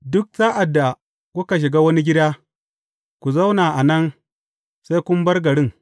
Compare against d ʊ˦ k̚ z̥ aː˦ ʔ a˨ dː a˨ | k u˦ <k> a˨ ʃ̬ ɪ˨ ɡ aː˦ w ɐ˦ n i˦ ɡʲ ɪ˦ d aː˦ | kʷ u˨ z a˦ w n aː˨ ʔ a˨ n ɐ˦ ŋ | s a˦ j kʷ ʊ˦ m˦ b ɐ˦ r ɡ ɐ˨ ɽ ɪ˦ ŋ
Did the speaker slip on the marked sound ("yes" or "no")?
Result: no